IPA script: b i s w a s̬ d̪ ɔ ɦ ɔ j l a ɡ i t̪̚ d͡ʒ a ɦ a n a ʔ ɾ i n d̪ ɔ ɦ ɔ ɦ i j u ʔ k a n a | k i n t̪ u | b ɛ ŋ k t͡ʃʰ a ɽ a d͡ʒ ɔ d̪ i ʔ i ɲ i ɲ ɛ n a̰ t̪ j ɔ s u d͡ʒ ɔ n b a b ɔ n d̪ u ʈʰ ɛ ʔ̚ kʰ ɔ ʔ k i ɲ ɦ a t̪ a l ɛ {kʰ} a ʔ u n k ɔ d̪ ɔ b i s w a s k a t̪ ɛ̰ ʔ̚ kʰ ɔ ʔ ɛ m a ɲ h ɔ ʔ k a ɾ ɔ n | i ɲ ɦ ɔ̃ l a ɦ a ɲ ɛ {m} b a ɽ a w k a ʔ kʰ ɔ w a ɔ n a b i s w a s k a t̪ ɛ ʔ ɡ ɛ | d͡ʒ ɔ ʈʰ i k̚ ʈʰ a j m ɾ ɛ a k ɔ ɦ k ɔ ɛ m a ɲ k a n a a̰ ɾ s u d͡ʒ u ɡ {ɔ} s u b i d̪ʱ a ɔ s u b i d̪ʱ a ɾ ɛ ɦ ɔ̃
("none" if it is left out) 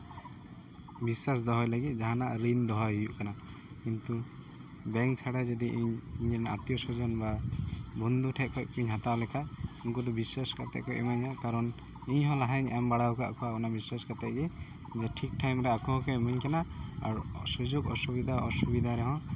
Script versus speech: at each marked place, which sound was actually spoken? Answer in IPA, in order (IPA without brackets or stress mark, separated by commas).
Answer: kʰ, m, ɔ